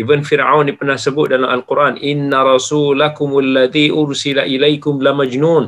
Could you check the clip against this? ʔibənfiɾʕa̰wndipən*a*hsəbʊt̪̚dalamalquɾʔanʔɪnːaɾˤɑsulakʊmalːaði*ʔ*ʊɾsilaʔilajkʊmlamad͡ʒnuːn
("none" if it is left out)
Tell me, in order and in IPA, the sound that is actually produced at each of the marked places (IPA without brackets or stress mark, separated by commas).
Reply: a, ʔ